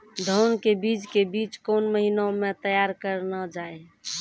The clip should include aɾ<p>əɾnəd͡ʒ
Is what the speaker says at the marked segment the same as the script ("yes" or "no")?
no